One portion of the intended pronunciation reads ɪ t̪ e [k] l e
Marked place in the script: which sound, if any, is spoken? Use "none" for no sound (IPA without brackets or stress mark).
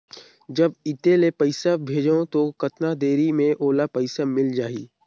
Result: none